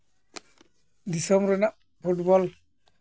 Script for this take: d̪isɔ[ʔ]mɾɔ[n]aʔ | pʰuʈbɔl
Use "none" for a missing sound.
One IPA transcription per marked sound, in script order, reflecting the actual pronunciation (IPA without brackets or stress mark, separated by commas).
none, n